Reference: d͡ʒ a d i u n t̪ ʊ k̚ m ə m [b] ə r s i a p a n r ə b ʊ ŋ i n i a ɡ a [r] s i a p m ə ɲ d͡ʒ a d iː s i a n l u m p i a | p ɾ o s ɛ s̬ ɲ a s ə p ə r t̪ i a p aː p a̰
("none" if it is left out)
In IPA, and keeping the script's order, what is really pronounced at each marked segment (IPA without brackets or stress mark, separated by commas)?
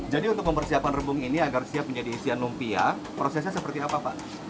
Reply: p, r